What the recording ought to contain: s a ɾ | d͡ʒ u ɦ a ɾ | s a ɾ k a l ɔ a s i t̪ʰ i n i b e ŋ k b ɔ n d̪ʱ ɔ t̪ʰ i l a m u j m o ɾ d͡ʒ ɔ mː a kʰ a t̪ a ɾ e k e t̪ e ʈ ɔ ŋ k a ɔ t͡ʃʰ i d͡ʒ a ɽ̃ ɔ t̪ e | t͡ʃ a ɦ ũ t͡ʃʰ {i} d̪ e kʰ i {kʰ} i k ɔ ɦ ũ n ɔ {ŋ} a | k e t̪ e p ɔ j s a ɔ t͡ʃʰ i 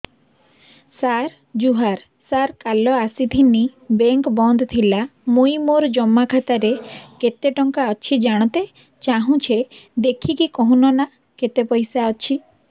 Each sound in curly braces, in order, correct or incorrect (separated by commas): incorrect, incorrect, incorrect